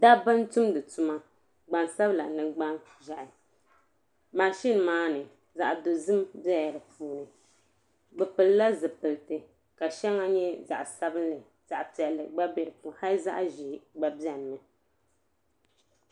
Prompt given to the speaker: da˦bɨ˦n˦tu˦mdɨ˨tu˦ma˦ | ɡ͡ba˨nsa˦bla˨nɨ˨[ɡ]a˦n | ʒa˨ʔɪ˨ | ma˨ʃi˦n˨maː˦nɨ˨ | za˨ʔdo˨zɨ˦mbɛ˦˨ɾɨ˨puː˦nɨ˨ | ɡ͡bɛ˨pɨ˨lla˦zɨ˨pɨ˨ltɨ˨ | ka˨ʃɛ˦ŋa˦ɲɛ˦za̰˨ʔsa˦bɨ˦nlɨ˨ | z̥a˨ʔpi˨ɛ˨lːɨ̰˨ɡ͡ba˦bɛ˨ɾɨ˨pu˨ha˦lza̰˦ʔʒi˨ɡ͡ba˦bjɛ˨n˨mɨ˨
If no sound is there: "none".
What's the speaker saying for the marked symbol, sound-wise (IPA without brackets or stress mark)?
ɡ͡b